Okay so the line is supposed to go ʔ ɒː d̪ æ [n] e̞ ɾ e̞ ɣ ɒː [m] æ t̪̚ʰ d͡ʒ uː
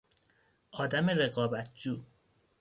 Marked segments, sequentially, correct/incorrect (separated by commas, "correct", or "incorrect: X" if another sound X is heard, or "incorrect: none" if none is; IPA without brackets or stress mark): incorrect: m, incorrect: b